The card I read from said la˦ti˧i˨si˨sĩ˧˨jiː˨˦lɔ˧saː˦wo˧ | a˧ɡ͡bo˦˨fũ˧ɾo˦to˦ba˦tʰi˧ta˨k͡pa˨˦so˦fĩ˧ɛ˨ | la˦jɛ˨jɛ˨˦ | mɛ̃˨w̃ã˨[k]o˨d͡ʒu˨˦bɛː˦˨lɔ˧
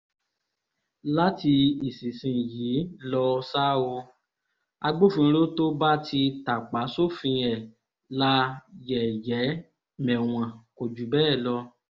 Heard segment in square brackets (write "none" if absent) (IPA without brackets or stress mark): k